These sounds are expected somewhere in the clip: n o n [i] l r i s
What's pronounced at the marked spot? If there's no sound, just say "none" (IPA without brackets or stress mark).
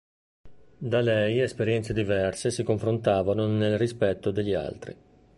e